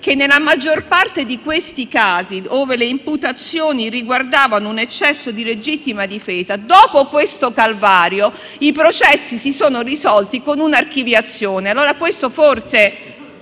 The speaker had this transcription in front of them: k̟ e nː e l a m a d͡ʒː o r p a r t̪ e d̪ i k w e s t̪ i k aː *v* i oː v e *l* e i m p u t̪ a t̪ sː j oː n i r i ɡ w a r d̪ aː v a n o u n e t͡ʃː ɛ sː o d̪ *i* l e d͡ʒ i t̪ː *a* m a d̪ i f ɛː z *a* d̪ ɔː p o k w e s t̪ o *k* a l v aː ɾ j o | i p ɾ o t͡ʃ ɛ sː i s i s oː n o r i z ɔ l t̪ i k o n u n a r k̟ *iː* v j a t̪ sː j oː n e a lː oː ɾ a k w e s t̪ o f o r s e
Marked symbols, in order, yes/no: no, yes, yes, no, yes, yes, no

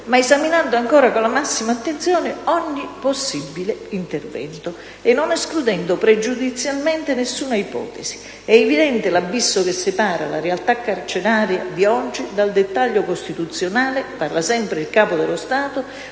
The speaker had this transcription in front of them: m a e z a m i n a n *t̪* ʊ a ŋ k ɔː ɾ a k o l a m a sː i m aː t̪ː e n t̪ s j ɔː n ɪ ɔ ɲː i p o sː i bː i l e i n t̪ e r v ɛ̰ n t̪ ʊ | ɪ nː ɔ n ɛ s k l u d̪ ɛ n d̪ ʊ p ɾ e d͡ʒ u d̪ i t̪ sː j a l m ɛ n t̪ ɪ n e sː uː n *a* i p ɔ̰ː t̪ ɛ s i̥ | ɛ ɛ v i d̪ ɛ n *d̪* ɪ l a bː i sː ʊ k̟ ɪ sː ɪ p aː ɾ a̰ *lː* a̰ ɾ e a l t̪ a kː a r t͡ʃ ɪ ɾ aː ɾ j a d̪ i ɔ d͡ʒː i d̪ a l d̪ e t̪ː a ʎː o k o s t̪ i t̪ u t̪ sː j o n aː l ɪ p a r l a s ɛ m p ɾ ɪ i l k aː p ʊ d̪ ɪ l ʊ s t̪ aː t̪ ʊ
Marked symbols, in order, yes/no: no, yes, no, no

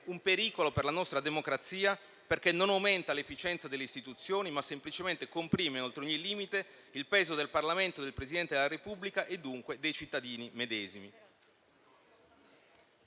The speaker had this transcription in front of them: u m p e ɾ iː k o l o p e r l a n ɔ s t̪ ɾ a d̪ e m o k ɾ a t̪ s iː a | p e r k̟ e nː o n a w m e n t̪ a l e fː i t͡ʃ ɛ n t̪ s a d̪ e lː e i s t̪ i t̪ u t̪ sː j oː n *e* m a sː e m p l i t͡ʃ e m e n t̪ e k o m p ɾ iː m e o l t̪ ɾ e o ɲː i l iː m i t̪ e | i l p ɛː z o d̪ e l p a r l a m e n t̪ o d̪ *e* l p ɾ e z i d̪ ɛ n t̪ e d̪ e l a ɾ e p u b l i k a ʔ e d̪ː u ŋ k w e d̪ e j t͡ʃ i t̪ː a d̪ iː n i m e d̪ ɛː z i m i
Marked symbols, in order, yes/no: no, yes

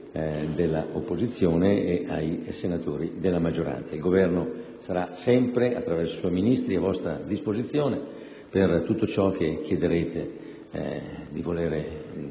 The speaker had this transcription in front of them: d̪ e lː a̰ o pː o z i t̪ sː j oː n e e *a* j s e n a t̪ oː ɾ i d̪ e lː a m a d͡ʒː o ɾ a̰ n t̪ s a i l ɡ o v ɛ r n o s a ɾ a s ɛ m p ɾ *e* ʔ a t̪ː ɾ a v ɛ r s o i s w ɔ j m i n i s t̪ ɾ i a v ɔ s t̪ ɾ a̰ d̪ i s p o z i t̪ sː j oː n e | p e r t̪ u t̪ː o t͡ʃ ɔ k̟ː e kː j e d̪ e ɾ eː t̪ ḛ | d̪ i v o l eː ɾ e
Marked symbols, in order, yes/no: yes, yes

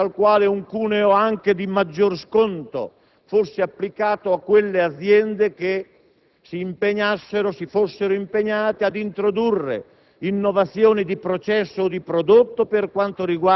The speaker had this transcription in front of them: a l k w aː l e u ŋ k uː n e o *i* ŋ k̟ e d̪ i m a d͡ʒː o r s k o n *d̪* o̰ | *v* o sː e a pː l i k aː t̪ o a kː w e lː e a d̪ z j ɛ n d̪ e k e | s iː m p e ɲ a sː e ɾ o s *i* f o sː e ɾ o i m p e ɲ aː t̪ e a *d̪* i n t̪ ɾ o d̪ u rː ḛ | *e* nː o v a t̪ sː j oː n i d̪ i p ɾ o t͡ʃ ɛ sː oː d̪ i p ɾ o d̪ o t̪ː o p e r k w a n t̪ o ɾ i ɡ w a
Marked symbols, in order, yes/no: no, no, no, yes, yes, no

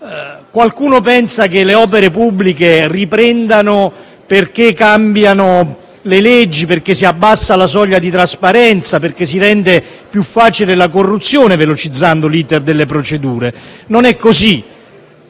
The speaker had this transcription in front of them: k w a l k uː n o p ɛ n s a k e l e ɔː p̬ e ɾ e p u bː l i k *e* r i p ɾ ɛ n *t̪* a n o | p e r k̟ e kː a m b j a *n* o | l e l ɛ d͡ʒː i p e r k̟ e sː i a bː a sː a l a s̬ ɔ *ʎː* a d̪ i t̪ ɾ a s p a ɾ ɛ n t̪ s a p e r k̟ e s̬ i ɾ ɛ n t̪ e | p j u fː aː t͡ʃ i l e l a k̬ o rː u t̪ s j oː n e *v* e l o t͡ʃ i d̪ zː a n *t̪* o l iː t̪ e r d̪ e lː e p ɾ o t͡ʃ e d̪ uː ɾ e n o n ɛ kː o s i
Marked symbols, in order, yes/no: yes, no, yes, yes, yes, no

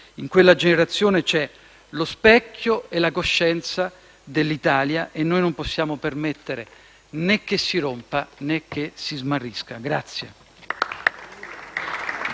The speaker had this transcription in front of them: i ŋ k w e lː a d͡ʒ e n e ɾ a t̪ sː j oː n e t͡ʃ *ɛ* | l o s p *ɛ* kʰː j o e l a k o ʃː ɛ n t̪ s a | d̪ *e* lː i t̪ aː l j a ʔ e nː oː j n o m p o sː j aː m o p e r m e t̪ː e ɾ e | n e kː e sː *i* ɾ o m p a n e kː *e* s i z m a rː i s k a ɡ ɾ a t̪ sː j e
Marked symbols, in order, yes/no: yes, yes, yes, yes, yes

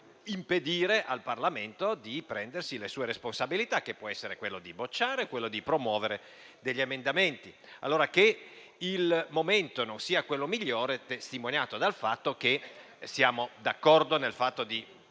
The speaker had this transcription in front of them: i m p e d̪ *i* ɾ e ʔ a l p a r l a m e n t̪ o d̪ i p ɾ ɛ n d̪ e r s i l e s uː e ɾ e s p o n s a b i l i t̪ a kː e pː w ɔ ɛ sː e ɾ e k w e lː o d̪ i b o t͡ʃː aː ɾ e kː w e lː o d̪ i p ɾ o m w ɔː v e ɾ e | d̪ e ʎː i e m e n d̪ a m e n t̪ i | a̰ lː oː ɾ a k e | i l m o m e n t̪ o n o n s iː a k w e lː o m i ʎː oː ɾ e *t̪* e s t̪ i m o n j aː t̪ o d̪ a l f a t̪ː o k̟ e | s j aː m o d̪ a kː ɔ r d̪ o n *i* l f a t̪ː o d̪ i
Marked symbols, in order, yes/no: no, yes, no

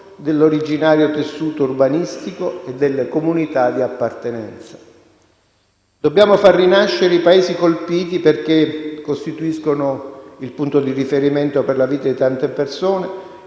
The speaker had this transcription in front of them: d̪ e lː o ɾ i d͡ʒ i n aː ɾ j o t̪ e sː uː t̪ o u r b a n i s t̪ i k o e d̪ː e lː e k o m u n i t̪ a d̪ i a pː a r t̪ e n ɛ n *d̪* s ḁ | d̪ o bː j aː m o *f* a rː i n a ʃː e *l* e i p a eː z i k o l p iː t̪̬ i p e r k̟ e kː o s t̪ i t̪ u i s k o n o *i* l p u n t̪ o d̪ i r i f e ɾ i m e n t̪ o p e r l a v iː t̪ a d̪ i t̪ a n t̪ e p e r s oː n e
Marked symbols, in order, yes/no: no, yes, no, yes

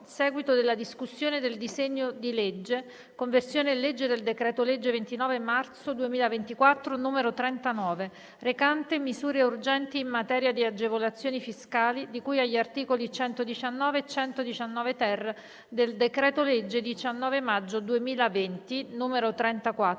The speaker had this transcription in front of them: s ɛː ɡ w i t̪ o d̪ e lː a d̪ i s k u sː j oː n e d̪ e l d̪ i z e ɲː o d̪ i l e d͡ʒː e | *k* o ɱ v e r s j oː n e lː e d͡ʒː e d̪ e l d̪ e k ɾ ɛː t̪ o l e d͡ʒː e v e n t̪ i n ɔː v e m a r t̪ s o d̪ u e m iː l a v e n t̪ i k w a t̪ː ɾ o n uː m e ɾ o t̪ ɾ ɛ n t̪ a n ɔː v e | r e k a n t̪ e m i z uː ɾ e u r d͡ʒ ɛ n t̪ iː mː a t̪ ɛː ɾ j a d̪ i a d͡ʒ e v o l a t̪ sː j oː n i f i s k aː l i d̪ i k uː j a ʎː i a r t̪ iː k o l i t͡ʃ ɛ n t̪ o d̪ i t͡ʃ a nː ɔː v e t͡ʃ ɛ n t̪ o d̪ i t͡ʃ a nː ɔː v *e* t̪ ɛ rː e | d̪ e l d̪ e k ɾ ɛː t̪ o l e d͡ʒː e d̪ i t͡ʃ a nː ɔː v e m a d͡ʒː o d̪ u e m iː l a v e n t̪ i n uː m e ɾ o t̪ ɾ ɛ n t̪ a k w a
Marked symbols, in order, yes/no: yes, yes

